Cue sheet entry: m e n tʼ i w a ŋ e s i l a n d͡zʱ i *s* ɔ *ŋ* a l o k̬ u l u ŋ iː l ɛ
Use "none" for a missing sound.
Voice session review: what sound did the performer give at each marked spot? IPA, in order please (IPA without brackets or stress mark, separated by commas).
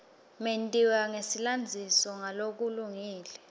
s, ŋ